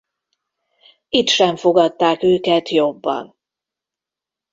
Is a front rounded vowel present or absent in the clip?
present